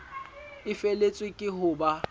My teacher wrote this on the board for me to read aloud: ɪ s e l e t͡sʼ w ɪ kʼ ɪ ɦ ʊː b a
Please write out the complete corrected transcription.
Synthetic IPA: ɪ f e l e t͡sʼ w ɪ kʼ ɪ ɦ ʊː b a